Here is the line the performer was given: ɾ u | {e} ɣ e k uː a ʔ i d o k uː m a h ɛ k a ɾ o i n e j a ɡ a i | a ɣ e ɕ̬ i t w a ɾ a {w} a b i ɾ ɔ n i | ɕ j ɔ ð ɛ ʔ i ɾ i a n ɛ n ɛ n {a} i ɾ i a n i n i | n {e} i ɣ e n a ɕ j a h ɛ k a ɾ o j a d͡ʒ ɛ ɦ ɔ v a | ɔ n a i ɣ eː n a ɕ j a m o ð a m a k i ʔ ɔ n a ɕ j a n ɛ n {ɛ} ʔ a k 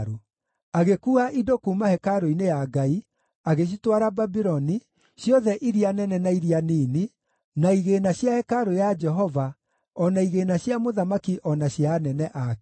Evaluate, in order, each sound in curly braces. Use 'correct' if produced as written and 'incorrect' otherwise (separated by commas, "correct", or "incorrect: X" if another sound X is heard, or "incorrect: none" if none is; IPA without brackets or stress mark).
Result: incorrect: a, incorrect: b, correct, incorrect: a, correct